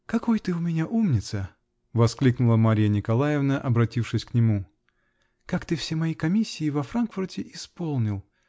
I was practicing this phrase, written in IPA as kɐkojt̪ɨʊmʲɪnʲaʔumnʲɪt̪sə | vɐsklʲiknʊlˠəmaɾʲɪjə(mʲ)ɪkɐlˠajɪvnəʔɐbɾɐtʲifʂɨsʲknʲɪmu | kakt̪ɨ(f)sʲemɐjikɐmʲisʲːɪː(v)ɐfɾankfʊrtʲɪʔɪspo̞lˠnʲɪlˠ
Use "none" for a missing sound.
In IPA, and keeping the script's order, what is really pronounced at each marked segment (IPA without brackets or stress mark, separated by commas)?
nʲ, f, v